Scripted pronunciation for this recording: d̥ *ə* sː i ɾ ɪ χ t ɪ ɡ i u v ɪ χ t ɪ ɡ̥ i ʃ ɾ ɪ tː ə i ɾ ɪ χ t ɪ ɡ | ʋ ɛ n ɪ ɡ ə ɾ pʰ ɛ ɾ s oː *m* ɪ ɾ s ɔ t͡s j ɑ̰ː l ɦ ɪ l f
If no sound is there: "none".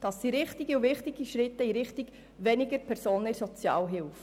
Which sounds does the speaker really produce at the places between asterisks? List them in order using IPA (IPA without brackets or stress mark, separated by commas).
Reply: ɑ, n